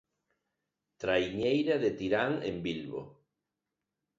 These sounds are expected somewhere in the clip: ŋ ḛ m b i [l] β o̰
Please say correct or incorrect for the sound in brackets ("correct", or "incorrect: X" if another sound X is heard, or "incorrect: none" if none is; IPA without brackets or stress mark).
correct